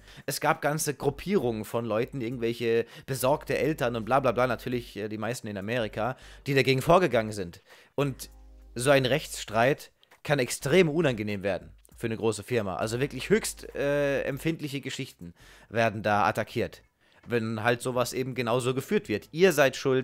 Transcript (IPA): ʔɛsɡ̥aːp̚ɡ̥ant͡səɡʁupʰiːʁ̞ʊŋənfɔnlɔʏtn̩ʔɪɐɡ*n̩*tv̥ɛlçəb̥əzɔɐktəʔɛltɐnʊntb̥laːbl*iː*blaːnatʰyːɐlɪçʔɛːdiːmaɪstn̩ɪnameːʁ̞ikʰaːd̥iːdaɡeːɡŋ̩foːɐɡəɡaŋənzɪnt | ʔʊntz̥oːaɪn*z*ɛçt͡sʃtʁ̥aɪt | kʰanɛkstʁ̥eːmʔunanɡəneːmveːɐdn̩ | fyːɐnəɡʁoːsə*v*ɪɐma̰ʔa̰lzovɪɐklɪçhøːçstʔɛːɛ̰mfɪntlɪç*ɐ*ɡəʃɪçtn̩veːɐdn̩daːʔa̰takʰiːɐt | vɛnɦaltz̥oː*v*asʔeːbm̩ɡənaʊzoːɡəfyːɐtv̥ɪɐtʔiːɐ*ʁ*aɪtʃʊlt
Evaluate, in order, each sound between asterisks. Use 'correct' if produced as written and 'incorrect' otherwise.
incorrect: ŋ̩, incorrect: aː, incorrect: ʁ, incorrect: f, incorrect: ə, correct, incorrect: z

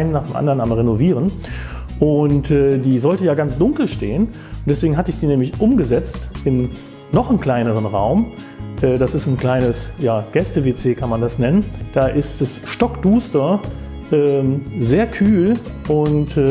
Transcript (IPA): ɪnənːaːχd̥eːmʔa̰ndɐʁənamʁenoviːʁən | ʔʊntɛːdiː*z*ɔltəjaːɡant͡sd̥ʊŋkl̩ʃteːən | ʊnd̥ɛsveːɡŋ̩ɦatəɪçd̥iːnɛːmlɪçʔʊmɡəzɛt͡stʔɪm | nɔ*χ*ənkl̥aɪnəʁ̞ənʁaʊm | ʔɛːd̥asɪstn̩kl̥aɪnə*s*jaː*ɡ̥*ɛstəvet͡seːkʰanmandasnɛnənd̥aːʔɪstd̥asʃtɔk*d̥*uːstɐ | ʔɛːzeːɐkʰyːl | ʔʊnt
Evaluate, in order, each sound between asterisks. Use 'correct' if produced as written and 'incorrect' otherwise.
correct, correct, correct, correct, correct

